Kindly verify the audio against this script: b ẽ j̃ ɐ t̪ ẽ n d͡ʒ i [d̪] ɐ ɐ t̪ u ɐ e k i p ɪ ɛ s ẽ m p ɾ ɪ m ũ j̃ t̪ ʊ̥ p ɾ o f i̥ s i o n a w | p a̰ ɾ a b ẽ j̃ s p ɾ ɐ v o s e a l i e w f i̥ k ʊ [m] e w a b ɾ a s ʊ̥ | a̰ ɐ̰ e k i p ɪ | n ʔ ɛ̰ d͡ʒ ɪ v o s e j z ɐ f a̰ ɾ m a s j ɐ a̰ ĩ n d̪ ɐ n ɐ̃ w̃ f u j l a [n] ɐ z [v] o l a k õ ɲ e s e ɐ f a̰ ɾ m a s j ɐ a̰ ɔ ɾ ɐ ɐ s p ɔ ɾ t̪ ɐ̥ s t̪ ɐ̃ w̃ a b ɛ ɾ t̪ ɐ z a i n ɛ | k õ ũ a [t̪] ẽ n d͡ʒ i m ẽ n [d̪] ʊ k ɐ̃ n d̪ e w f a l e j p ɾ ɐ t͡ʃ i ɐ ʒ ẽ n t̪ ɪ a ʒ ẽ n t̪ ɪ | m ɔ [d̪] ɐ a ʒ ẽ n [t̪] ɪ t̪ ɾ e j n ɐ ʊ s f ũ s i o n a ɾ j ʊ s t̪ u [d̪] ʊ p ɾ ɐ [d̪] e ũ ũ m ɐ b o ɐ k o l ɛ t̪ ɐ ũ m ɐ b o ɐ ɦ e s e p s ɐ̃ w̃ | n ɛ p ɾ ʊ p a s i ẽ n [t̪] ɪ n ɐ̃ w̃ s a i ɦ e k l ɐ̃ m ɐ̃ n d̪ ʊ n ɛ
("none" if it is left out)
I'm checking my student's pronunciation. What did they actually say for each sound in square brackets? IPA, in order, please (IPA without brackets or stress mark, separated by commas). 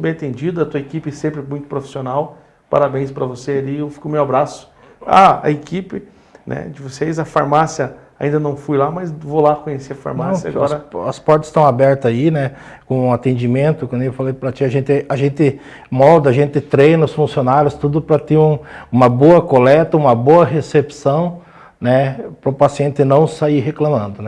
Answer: d̪, m, m, v, t̪, t̪, d̪, t̪, d̪, t̪, t̪